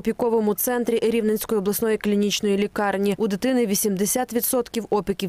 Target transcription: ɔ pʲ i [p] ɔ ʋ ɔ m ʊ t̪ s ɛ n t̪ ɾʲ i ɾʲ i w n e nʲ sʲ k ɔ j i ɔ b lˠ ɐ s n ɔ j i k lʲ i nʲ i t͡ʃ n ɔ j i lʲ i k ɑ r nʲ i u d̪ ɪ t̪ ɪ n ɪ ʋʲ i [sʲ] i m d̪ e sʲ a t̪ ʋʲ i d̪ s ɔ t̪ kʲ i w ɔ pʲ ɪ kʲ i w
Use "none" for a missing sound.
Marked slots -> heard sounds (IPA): k, sʲ

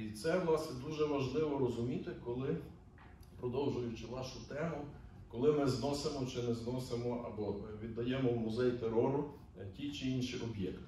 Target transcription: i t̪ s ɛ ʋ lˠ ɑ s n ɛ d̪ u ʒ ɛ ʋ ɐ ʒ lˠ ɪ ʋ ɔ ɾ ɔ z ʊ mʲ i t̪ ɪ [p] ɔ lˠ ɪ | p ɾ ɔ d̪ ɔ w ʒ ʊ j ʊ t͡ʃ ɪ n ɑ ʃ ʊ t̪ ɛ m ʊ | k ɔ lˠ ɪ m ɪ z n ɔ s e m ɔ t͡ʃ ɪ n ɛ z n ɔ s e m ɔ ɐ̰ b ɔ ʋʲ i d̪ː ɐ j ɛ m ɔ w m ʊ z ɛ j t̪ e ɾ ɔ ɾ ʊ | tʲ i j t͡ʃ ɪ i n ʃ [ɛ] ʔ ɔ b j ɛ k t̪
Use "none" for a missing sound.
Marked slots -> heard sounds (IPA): k, i

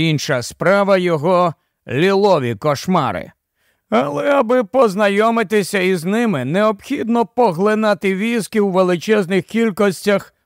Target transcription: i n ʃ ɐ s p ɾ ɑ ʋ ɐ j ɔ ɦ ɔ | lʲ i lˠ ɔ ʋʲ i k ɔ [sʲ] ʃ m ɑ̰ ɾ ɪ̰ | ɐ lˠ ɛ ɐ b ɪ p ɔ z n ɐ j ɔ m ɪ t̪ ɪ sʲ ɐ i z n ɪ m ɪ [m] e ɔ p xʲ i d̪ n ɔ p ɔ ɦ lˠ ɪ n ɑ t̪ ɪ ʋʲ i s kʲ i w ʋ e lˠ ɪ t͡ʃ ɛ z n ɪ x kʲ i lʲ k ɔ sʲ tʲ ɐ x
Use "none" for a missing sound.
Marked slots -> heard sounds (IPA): none, n

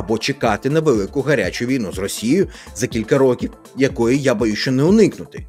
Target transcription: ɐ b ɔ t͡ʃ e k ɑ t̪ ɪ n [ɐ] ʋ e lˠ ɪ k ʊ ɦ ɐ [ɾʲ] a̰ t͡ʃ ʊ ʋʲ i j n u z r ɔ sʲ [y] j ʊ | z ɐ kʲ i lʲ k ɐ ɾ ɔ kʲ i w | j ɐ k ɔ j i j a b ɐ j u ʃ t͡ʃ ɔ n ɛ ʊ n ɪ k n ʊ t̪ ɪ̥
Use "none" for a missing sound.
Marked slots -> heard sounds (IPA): ɐ, ɾʲ, i

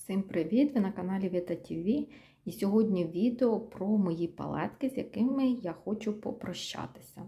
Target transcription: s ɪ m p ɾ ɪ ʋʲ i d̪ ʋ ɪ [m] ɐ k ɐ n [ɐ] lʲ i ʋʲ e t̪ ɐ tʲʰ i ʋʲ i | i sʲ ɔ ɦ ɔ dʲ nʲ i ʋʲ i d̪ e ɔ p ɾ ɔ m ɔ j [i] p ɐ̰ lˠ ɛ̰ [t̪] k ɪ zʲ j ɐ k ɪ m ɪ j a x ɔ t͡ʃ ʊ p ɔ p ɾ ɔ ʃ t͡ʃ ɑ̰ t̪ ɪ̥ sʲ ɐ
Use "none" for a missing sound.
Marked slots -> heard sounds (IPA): n, ɑ, i, t̪

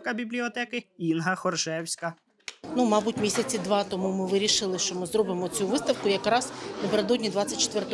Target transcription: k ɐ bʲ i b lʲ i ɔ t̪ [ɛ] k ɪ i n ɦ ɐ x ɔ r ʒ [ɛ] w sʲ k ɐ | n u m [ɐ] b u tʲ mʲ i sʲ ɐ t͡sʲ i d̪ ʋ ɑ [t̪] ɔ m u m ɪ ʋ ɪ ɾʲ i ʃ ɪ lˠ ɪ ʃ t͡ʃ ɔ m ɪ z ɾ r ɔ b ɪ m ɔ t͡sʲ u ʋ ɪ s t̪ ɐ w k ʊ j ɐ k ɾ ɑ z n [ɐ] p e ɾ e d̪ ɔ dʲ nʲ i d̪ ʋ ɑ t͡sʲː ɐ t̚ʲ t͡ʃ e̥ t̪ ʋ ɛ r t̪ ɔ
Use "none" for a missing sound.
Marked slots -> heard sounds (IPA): ɛ, ɛ, ɑ, t̪, ɐ

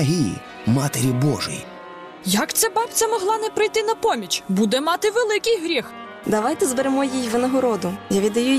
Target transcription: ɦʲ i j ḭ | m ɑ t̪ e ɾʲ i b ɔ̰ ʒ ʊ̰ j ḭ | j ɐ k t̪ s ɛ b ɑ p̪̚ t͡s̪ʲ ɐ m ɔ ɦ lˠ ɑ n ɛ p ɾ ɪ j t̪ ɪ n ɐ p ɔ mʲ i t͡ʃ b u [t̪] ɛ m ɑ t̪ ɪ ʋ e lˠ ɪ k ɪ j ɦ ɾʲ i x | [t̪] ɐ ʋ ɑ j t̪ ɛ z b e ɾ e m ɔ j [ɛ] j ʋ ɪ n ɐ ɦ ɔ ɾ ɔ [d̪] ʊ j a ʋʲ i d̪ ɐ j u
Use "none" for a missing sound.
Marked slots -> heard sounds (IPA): d̪, d̪, i, d̪

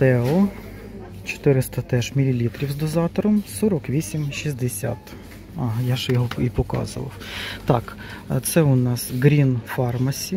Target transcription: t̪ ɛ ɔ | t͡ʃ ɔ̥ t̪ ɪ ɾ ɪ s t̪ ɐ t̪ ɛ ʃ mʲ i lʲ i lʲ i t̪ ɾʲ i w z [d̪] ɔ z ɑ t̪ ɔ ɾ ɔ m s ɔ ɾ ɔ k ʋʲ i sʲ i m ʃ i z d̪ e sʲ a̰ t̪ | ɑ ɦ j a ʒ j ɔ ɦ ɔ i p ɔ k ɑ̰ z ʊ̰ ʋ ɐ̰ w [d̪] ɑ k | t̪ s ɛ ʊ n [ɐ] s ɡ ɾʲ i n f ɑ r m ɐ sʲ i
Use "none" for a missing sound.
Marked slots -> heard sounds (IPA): d̪, t̪, ɑ

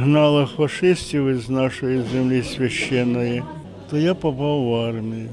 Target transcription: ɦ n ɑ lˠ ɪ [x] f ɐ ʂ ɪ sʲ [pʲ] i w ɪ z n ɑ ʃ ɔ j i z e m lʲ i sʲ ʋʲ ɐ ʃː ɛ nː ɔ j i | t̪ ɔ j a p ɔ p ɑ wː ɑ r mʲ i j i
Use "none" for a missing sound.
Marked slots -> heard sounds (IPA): x, tʲ

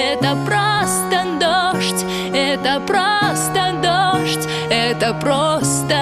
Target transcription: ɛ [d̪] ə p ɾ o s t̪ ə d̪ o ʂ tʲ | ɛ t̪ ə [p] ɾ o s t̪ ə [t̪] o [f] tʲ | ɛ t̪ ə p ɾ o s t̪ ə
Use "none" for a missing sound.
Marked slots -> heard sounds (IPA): t̪, p, d̪, ʂ

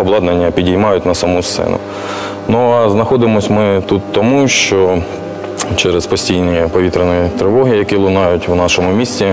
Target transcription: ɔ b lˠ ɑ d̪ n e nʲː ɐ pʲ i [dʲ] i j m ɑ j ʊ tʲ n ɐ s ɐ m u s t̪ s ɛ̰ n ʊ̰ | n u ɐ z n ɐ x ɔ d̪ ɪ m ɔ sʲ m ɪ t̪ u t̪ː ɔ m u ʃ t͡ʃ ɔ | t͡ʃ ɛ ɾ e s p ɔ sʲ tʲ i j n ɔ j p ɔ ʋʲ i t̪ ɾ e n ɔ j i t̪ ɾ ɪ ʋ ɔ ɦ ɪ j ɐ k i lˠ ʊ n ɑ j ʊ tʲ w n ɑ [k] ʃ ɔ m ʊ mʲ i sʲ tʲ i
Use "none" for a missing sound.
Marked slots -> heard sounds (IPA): dʲ, none

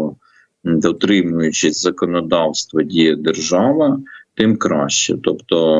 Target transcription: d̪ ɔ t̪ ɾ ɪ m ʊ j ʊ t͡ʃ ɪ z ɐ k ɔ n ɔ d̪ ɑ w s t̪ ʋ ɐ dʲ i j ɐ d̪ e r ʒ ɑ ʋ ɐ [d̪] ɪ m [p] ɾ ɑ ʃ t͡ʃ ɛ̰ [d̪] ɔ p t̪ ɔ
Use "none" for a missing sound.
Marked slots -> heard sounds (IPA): t̪, k, t̪

